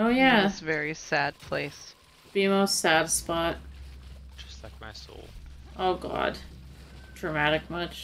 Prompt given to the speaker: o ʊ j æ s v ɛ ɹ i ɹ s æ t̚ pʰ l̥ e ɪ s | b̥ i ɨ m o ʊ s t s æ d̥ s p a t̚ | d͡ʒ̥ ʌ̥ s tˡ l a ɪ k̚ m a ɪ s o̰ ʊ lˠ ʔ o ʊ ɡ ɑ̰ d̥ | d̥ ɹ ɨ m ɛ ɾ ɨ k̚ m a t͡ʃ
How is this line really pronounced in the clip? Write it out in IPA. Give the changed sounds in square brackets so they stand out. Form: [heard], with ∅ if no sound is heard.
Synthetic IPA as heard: o ʊ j æ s v ɛ ɹ i [∅] s æ [d̚] pʰ l̥ e ɪ s | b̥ i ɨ m o ʊ s t s æ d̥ s p [ɑ] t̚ | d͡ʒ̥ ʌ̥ s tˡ l a ɪ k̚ m a ɪ s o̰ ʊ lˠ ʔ o ʊ ɡ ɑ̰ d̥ | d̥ ɹ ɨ m [æ] ɾ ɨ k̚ m [ʌ] t͡ʃ